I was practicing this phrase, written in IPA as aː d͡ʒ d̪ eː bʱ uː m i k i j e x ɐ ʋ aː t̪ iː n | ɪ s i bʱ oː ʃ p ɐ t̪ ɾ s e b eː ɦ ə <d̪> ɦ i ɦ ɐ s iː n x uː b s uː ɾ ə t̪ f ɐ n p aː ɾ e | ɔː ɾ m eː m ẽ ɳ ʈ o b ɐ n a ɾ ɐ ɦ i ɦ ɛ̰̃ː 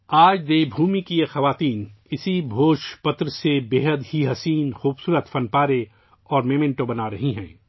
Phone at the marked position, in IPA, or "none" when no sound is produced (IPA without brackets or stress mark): d̪